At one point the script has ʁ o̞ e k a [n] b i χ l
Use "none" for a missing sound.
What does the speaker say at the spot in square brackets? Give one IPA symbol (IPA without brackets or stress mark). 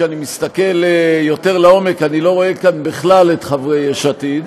n